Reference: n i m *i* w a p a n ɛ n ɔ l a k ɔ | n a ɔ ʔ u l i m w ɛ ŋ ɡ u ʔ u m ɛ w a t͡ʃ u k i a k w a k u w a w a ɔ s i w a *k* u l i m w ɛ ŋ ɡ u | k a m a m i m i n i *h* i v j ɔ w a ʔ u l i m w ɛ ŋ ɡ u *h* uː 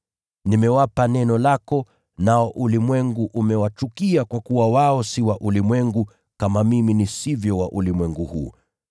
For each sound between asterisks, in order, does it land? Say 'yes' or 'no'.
no, no, no, yes

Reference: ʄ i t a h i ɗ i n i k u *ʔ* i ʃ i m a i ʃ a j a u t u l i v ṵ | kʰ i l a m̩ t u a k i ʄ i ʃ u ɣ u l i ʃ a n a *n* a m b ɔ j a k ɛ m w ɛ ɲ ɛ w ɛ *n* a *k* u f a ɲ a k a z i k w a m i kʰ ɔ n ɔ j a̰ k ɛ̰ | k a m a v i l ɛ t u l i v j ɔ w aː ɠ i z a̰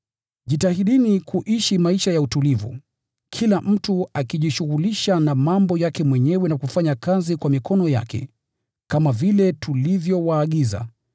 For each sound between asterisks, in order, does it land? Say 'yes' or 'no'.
yes, no, yes, yes

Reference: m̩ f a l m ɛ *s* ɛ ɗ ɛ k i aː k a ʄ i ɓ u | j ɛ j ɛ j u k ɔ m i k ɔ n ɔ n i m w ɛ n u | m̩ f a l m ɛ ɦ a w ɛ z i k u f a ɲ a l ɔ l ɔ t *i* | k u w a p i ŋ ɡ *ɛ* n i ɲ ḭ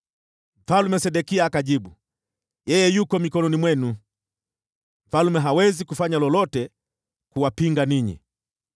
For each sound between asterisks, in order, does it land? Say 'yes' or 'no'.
yes, no, no

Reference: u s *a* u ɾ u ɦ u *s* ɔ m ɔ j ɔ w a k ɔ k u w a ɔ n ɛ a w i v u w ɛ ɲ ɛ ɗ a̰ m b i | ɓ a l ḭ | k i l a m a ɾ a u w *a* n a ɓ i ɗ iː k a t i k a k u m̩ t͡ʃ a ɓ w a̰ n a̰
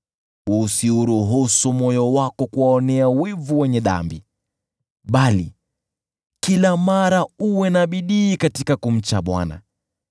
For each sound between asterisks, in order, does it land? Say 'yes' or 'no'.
no, yes, no

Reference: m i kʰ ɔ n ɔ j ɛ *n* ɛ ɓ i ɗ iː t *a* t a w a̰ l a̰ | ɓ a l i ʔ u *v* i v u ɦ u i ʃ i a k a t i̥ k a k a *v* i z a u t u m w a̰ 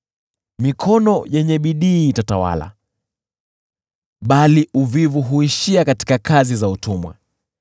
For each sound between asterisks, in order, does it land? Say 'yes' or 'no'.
no, yes, yes, no

